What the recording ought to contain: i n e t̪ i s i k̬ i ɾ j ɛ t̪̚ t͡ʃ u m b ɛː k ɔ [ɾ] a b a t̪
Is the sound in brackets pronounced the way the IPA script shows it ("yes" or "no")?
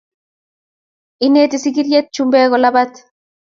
no